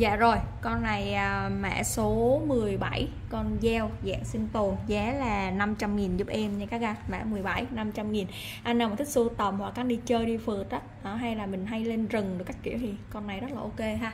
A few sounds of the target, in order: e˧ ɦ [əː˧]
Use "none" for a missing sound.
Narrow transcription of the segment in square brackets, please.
aː˧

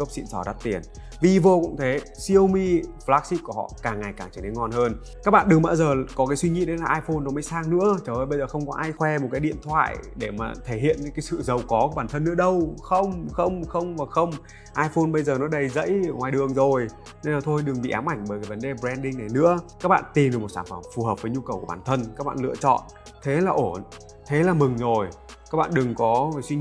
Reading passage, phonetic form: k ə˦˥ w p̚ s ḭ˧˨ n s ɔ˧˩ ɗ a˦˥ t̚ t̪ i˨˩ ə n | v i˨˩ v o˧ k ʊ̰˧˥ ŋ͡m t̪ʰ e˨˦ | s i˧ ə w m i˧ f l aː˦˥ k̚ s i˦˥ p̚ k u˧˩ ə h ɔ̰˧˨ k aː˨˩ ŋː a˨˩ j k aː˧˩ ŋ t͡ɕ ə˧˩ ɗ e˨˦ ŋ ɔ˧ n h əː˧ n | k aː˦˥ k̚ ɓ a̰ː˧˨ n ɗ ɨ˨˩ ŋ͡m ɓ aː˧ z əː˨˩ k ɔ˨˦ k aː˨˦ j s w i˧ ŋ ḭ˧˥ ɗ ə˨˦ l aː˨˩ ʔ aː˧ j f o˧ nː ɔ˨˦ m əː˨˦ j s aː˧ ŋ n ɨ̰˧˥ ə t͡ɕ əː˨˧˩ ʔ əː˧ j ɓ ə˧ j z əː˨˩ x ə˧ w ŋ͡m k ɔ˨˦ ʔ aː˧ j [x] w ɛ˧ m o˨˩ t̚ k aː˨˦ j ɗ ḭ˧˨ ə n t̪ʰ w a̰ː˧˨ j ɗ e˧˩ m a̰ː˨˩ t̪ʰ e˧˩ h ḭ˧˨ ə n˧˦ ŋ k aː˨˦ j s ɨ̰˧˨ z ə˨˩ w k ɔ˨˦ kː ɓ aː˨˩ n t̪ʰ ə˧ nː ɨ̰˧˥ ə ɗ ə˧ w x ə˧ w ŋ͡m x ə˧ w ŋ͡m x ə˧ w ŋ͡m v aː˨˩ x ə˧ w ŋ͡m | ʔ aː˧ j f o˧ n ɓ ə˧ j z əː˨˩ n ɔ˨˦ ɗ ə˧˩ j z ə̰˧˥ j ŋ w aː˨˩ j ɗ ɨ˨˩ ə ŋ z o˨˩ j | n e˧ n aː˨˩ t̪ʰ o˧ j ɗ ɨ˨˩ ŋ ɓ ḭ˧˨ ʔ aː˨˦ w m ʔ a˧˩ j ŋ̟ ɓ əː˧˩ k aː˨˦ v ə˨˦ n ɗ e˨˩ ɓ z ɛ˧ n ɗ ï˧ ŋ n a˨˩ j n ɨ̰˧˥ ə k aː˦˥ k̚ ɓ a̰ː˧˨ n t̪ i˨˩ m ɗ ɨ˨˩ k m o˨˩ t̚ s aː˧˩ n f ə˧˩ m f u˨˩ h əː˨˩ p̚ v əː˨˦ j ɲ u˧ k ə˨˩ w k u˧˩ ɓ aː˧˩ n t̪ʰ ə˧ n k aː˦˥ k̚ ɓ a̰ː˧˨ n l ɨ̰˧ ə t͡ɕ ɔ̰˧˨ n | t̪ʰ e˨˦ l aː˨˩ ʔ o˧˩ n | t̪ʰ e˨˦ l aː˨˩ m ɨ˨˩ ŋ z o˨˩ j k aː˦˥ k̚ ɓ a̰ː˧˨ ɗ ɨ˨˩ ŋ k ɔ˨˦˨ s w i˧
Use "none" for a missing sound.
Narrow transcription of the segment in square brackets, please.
x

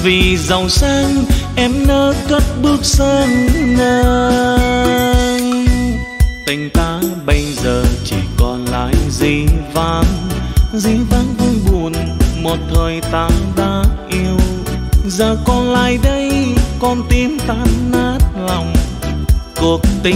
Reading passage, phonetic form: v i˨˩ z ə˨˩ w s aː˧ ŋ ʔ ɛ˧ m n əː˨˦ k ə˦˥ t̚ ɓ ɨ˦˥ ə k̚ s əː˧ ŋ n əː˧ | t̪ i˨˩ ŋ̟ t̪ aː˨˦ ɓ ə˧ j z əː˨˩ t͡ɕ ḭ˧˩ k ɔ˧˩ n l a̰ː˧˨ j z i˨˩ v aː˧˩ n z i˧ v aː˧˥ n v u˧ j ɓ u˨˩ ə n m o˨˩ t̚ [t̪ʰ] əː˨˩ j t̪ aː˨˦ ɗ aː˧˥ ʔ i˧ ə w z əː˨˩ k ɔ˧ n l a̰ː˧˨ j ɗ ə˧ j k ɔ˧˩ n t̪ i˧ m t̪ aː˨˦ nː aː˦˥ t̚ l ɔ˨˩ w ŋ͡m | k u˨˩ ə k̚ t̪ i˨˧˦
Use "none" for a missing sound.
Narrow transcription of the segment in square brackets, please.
t̪ʰ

